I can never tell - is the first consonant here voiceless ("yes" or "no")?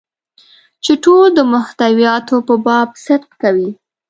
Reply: yes